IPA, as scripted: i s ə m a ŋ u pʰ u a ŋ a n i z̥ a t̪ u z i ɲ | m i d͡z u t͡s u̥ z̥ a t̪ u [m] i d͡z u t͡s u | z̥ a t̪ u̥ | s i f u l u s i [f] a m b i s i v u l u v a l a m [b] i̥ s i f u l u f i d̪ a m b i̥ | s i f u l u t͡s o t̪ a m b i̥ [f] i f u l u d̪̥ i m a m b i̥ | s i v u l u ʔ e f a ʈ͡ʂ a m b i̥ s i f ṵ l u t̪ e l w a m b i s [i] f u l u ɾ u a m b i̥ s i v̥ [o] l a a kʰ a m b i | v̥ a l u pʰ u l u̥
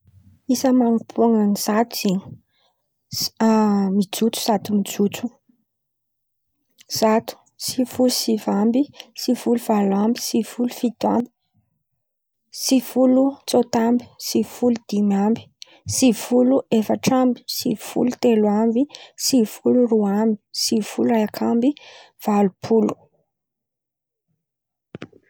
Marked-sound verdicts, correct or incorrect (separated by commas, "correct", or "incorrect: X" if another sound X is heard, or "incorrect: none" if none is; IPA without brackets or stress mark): correct, incorrect: v, correct, incorrect: s, correct, incorrect: u